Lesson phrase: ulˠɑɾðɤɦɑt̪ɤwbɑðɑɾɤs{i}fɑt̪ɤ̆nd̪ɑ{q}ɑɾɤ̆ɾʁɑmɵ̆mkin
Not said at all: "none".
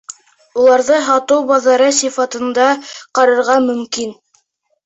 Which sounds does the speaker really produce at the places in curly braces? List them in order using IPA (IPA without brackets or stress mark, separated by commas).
i, q